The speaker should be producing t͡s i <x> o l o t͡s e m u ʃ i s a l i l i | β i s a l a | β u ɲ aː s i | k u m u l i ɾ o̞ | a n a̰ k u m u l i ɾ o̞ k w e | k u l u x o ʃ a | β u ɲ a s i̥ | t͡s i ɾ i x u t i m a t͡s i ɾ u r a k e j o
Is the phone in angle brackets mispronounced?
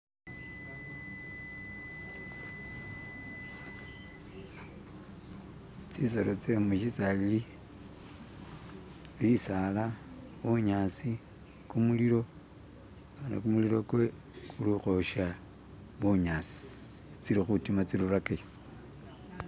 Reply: yes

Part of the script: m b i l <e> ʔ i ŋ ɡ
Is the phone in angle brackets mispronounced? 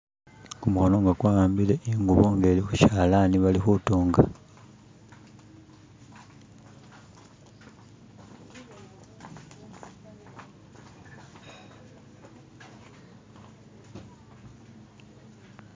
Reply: no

